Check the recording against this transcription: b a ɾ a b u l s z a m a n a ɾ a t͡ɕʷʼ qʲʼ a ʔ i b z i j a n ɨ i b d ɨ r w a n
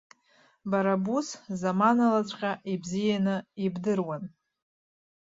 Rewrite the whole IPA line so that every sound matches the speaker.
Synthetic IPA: b a ɾ a b u s z a m a n a l a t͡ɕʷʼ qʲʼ a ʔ i b z i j a n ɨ i b d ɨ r w a n